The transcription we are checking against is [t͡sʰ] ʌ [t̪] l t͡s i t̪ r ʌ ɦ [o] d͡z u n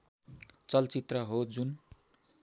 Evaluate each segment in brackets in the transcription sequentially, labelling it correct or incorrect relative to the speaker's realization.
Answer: incorrect: t͡s, incorrect: none, correct

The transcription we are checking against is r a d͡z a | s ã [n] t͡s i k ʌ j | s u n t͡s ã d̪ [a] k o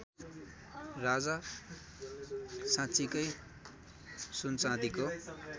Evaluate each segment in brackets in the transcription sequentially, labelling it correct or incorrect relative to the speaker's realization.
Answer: incorrect: none, incorrect: i

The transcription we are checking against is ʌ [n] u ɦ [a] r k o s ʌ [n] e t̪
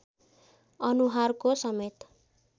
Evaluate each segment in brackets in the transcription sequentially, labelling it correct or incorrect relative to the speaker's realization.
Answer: correct, correct, incorrect: m

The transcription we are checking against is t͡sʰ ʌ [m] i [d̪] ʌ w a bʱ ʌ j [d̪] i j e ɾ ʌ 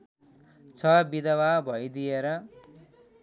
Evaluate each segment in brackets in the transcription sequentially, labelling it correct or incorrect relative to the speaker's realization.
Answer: incorrect: b, correct, correct

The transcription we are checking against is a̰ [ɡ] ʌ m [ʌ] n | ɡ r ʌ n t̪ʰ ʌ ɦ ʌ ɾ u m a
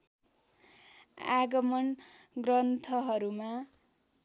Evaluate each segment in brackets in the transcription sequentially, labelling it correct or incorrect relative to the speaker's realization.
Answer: correct, correct

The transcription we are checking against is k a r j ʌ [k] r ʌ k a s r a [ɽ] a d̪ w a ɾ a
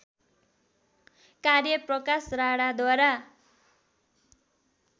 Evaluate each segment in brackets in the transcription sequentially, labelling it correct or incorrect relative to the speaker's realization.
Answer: incorrect: p, correct

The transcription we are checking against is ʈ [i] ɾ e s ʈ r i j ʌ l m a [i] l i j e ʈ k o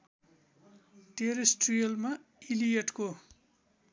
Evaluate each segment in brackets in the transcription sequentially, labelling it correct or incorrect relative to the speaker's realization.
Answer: incorrect: e, correct

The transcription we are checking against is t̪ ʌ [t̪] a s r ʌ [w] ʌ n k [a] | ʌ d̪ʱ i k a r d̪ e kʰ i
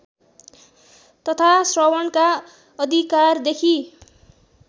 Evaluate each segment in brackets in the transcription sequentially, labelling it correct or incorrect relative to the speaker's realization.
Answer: incorrect: t̪ʰ, correct, correct

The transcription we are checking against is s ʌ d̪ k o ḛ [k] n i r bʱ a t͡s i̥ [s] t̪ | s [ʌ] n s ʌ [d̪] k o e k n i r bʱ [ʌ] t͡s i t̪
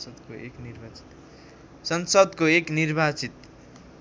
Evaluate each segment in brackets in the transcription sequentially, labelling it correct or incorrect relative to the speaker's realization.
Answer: correct, incorrect: none, correct, correct, incorrect: a

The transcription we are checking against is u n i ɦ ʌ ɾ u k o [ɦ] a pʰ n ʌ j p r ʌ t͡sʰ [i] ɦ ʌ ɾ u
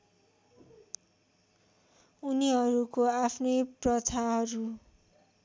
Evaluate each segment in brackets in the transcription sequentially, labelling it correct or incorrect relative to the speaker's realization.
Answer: incorrect: none, incorrect: a

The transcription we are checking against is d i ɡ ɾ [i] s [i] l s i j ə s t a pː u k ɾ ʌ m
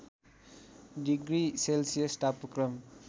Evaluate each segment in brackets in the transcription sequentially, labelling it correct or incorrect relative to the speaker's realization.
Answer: correct, incorrect: e

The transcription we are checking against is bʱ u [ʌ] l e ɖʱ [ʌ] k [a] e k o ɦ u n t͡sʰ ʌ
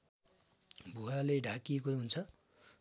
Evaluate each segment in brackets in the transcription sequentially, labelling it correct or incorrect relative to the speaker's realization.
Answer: incorrect: a, incorrect: a, incorrect: i

